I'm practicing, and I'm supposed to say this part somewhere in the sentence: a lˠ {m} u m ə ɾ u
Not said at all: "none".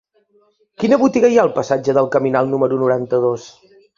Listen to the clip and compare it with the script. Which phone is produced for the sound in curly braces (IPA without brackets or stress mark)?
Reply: n